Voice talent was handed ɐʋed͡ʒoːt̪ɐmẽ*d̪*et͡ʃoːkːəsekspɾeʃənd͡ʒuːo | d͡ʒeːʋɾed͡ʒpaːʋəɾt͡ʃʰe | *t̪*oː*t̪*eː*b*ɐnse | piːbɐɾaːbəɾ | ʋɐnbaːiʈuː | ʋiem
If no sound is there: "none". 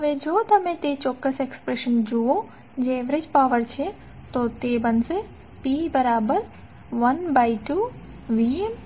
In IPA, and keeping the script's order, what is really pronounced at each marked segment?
t̪, t̪, t̪, b

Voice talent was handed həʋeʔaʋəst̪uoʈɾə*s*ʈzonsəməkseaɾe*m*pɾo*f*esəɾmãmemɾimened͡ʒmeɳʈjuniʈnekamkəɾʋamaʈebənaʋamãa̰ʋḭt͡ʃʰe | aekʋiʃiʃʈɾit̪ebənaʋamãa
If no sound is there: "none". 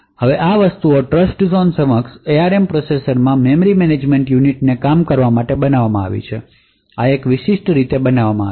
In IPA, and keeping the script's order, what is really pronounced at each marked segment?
s, m, s

